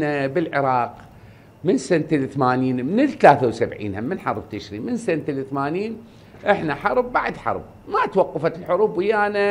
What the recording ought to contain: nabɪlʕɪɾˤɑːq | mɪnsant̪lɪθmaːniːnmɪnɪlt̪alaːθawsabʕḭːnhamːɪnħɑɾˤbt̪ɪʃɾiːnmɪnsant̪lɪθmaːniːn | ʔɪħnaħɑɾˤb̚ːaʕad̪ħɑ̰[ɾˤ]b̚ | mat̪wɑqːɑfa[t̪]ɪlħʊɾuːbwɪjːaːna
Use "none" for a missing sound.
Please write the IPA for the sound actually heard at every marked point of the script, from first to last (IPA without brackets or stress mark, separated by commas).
ɾˤ, t̪